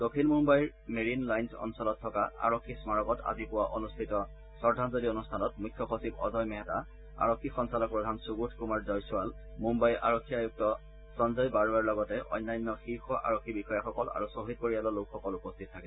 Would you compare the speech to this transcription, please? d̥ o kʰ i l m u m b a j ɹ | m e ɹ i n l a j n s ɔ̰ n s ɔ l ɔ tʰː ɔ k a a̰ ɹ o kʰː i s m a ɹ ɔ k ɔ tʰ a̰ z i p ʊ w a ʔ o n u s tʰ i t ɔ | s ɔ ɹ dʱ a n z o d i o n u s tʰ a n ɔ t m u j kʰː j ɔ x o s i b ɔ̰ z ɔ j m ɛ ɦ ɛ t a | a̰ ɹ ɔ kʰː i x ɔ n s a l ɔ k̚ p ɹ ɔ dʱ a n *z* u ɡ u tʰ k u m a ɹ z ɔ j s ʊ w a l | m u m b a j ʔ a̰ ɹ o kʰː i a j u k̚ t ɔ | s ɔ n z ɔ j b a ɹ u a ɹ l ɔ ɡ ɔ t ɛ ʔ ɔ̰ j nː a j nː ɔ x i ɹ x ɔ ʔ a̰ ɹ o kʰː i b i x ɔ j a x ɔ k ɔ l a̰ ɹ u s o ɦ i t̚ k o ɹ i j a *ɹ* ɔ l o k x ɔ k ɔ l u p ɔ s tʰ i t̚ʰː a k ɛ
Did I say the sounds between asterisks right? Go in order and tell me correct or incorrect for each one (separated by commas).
incorrect, incorrect